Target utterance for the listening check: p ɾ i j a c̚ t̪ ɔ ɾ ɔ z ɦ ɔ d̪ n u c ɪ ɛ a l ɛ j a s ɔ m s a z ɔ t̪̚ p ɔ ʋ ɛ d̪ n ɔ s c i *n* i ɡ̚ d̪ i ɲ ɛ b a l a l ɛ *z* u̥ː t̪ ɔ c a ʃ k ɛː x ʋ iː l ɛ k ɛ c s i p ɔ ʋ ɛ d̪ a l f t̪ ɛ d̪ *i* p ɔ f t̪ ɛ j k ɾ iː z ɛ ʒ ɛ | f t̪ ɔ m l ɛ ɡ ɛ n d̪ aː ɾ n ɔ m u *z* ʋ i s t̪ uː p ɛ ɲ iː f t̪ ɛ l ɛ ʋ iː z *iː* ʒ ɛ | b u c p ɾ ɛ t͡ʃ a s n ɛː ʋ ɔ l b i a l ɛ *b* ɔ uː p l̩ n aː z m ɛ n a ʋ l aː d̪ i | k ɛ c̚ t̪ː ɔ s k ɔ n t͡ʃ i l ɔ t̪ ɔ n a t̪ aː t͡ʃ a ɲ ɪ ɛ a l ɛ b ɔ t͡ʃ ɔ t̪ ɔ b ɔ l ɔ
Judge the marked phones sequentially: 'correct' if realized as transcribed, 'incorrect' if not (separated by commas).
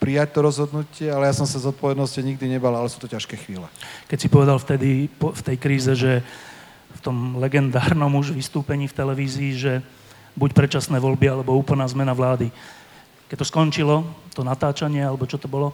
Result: incorrect, incorrect, correct, incorrect, correct, correct